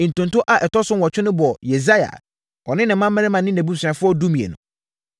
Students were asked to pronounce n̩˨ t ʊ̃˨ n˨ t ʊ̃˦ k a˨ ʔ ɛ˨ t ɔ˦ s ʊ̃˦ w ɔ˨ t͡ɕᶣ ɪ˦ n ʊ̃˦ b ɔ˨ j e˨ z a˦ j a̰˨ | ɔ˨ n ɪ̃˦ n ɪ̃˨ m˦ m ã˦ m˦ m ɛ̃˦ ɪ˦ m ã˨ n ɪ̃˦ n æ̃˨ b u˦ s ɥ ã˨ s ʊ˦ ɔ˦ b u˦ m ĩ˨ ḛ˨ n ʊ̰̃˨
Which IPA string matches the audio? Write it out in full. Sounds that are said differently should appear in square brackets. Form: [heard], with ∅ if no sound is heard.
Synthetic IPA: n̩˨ t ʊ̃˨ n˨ t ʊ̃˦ [ʔ] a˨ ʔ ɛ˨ t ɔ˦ s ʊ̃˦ w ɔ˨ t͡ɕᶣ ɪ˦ n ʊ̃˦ b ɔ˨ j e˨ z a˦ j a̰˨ | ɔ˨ n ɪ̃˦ n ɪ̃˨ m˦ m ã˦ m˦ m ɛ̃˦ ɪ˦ m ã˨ n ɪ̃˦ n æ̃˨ b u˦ s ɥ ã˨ [f] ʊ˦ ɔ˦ [d] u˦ m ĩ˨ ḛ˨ n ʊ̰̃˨